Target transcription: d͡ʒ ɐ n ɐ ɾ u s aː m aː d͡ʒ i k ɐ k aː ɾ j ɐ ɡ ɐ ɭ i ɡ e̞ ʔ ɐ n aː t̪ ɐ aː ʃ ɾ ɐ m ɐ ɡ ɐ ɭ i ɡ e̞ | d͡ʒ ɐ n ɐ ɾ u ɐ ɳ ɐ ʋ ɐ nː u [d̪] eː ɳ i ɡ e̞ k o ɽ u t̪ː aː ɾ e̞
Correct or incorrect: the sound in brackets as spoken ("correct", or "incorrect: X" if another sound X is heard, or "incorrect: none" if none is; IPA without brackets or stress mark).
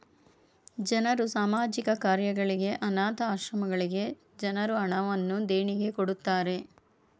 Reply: correct